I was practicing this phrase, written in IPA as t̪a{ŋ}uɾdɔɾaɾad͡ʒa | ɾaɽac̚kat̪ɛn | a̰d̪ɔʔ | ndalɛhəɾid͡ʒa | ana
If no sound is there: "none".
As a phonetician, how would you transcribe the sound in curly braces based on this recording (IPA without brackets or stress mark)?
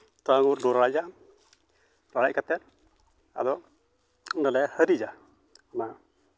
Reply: ŋ